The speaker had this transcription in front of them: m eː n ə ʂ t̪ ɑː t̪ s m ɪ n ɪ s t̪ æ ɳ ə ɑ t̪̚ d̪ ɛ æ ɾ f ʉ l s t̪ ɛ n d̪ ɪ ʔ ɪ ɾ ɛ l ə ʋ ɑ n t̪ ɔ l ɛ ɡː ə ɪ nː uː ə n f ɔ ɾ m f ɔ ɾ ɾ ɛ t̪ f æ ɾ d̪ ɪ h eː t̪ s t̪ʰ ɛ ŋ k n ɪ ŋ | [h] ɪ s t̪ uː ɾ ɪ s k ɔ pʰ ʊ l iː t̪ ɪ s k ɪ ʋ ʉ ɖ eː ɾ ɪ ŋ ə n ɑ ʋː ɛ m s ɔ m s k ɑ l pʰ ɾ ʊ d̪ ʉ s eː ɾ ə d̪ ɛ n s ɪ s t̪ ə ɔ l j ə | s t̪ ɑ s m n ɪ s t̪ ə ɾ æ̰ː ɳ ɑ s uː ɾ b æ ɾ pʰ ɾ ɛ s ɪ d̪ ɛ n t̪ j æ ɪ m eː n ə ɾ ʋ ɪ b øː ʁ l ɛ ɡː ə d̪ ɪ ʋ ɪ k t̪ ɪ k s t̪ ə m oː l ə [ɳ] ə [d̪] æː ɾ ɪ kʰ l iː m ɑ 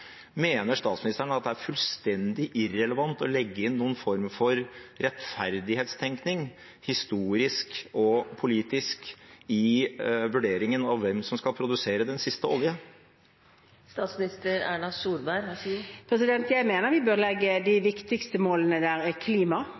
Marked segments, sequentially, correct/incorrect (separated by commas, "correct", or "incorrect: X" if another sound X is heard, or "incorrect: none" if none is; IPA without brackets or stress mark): correct, incorrect: n, correct